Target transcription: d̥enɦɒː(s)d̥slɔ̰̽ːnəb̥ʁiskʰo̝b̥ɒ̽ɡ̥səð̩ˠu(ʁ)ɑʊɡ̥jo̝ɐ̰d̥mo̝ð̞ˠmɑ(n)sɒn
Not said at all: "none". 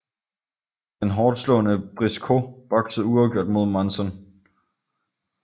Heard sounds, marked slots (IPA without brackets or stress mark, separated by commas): none, none, n